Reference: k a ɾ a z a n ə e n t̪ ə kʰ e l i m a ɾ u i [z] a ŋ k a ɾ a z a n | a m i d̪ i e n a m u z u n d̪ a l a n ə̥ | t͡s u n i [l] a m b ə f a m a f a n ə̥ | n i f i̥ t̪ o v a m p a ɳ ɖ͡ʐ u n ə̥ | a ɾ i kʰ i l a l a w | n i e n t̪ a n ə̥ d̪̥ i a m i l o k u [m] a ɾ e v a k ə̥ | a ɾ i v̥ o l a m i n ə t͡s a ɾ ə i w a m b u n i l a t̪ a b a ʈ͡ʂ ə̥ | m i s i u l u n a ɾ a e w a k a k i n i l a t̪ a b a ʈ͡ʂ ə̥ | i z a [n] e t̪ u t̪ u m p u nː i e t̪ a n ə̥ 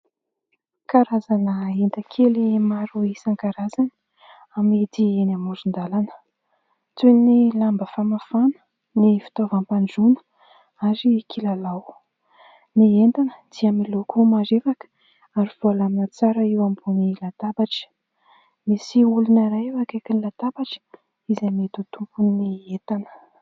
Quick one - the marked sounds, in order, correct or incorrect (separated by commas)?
incorrect, correct, correct, incorrect